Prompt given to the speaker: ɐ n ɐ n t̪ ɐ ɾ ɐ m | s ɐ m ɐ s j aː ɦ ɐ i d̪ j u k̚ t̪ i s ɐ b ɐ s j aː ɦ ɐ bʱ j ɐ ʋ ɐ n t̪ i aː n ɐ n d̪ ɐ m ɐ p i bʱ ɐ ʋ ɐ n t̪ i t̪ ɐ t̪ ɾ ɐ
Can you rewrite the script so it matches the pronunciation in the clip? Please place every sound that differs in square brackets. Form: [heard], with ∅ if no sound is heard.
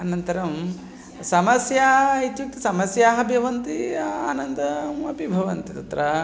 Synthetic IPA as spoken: ɐ n ɐ n t̪ ɐ ɾ ɐ m | s ɐ m ɐ s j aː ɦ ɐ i [t̪] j u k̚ t̪ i s ɐ [m] ɐ s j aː ɦ ɐ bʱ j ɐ ʋ ɐ n t̪ i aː n ɐ n d̪ ɐ m ɐ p i bʱ ɐ ʋ ɐ n t̪ i t̪ ɐ t̪ ɾ ɐ